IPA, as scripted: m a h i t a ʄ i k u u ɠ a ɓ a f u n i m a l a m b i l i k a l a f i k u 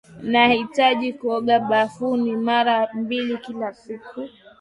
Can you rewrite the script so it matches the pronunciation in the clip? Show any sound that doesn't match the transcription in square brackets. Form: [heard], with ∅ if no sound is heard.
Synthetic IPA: [n] a h i t a ʄ i k u [ɔ] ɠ a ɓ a f u n i m a [ɾ] a m b i l i k [i] l a [s] i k u